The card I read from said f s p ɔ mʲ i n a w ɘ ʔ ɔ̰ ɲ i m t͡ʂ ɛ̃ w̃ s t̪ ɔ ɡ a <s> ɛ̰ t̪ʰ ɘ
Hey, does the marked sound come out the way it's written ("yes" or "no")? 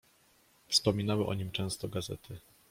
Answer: no